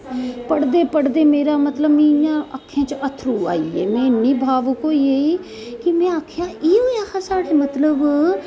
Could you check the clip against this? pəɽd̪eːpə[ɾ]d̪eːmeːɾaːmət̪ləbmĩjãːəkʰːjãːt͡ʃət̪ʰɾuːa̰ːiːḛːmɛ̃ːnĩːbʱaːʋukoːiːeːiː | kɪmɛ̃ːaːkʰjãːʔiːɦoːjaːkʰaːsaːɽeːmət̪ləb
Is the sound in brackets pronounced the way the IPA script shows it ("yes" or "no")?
no